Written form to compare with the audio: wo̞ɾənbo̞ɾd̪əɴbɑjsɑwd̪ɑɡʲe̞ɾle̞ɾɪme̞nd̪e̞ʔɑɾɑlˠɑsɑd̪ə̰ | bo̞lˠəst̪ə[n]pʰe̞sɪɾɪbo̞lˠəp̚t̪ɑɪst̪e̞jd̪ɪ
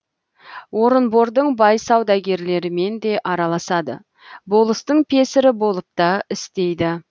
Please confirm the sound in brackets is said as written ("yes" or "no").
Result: no